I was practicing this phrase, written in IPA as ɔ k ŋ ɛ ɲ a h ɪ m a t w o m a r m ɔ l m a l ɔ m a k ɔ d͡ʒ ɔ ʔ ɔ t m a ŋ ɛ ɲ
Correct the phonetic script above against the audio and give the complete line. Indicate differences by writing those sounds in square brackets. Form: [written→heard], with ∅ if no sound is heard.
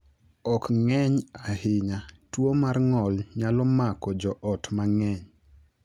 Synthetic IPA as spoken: ɔ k ŋ ɛ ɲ a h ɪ [m→ɲ] a t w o m a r [m→ŋ] ɔ l [m→ɲ] a l ɔ m a k ɔ d͡ʒ ɔ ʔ ɔ t m a ŋ ɛ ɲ